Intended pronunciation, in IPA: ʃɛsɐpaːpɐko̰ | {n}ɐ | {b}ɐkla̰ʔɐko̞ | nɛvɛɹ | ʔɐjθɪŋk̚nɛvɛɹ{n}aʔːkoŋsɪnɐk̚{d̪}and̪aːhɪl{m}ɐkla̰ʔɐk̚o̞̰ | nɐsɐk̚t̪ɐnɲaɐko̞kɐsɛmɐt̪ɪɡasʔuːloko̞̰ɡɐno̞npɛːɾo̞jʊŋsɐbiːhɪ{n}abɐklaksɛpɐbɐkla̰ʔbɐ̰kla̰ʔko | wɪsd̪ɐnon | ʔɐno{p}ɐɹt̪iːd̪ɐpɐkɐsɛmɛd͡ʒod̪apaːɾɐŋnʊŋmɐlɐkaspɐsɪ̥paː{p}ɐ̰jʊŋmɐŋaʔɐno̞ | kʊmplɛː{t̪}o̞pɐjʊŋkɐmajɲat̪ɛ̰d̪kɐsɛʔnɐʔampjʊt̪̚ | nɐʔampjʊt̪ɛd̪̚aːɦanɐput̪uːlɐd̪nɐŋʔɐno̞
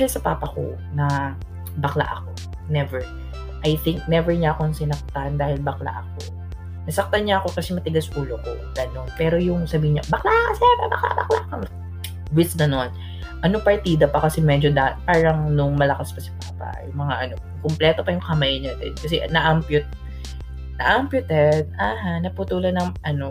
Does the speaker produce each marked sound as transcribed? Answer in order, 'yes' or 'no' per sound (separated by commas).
yes, yes, no, no, no, no, yes, yes, yes